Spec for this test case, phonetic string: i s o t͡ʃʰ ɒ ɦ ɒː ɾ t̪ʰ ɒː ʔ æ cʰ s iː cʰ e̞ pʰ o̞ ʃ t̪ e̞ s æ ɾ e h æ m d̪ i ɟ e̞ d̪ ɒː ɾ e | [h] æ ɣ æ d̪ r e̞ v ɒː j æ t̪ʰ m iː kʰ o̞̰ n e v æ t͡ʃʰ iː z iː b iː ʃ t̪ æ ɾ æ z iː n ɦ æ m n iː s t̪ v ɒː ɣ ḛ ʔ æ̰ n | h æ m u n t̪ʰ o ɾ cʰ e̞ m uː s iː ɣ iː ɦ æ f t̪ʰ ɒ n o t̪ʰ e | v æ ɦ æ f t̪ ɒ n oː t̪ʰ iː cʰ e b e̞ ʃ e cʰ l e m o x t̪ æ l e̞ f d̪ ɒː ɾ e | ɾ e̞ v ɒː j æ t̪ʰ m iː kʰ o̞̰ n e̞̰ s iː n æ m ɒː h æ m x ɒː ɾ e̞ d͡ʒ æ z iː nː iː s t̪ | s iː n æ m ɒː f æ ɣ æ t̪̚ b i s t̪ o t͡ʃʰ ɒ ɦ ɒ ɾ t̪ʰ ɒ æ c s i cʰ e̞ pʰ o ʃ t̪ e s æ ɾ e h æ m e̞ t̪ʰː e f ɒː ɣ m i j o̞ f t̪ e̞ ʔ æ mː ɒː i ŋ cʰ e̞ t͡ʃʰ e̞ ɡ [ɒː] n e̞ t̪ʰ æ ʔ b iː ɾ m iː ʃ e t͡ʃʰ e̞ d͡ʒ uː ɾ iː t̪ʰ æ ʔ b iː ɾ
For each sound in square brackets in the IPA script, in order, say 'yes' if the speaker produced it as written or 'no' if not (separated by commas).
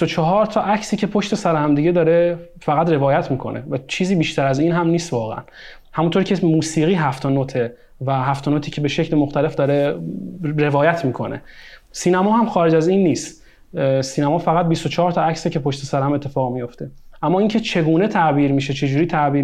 no, no